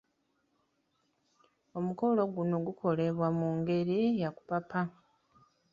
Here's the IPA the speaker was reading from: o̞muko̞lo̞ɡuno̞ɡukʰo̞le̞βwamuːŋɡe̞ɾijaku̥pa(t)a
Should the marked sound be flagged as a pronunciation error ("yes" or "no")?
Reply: yes